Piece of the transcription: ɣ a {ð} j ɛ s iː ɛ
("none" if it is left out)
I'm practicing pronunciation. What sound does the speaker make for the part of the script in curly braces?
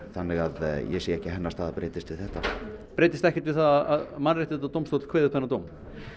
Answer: ð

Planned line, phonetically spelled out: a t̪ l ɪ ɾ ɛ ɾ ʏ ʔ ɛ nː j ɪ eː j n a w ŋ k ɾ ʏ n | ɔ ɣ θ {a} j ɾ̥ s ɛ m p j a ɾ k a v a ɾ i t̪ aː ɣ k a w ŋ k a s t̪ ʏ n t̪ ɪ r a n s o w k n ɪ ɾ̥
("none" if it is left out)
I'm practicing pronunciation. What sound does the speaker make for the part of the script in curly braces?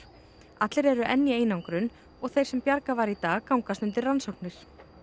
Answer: e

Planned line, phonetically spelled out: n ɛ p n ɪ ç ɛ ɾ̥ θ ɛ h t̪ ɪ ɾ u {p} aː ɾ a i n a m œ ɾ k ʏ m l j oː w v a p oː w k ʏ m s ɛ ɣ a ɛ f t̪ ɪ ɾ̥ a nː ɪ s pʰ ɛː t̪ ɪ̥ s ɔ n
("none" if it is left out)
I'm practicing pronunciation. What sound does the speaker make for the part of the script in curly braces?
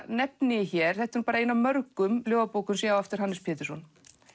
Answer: p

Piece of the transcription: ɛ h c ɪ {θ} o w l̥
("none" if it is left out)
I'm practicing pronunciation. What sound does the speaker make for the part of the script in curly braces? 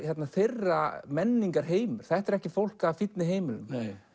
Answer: f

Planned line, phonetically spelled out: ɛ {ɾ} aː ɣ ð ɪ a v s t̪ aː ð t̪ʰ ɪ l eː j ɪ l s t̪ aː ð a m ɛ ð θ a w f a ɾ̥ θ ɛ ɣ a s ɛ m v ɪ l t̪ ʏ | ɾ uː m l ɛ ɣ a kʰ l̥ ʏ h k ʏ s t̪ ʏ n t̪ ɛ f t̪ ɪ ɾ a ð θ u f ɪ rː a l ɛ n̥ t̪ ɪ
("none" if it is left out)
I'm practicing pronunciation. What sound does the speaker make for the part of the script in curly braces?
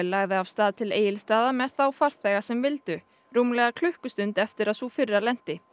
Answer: l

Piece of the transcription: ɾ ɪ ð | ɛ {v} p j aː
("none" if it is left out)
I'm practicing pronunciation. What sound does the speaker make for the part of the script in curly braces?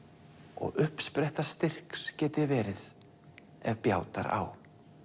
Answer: v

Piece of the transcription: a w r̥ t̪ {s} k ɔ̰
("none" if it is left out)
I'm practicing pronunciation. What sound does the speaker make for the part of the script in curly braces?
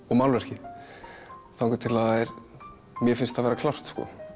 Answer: s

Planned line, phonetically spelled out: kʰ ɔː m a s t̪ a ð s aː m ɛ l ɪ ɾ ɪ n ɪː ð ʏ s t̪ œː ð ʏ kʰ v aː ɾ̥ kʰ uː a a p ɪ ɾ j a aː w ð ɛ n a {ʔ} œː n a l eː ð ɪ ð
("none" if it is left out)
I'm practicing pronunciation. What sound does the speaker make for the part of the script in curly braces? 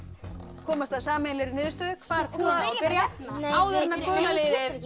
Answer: k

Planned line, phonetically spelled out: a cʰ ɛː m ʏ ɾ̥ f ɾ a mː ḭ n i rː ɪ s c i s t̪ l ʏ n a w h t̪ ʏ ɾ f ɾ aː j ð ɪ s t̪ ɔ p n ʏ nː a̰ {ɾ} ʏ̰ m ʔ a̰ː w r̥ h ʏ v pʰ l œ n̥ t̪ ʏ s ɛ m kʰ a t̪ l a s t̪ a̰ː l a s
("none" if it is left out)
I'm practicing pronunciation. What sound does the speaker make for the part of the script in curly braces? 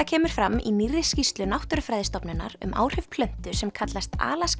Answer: ɾ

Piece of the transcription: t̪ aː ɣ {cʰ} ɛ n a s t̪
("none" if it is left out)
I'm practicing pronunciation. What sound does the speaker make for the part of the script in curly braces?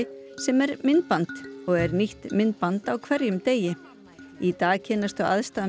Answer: cʰ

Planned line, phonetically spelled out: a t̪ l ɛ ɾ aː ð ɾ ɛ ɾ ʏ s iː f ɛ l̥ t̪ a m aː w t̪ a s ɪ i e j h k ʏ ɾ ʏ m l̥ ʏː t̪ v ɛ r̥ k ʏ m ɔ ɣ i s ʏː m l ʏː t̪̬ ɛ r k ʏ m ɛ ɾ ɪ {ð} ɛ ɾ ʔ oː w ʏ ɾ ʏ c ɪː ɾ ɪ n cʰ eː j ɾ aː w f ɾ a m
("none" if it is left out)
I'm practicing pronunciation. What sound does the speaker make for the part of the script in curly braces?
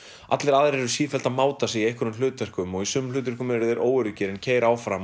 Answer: ð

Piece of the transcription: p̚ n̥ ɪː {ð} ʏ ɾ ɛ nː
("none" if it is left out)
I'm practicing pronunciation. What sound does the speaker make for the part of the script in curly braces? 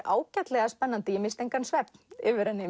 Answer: v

